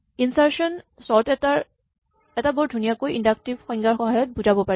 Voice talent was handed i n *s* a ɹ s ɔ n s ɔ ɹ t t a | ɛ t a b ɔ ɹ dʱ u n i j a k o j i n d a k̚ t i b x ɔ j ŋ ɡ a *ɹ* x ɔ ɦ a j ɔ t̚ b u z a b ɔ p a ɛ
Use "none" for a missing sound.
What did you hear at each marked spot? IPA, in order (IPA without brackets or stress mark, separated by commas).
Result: s, ɹ